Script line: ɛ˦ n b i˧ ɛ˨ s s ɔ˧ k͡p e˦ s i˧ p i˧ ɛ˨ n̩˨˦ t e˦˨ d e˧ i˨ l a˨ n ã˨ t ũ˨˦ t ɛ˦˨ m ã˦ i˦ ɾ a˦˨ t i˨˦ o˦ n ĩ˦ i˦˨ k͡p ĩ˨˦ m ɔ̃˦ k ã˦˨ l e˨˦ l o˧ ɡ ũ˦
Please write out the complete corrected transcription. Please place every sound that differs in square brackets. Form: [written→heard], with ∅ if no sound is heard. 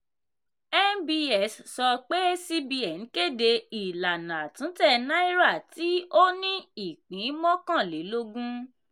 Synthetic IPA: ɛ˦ n b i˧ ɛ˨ s s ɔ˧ k͡p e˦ s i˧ [p→b] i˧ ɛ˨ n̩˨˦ [t→k] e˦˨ d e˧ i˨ l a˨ n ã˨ t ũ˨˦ t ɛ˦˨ [m→n] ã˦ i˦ ɾ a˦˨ t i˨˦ o˦ n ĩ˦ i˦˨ k͡p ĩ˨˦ m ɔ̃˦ k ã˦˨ l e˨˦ l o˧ ɡ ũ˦